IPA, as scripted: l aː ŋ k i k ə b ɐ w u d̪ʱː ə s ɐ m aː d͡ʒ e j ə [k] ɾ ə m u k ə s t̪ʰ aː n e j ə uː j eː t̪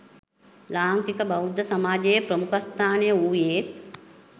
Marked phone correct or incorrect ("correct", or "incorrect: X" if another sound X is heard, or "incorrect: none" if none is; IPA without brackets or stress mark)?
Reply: incorrect: p